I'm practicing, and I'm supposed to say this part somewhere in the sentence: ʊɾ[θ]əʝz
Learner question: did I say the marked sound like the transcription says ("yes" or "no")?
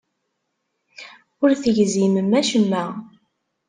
yes